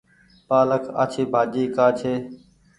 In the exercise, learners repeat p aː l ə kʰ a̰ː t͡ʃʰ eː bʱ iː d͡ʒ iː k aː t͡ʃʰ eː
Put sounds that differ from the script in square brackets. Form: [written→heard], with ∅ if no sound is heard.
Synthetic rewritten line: p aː l ə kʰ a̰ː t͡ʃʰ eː bʱ [iː→aː] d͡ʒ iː k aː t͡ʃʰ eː